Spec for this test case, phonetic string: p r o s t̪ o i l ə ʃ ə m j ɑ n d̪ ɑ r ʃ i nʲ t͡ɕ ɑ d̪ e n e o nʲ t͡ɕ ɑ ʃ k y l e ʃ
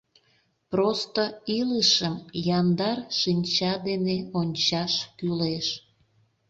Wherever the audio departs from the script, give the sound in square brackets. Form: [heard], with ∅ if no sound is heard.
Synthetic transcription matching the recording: p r o s t̪ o i l ə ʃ ə m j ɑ n d̪ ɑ r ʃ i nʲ t͡ɕ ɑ d̪ e n e o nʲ t͡ɕ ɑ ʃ k y l e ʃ